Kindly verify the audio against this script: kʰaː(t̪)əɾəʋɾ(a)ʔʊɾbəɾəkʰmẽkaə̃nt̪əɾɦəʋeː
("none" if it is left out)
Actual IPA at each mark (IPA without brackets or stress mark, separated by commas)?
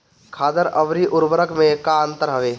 d̪, i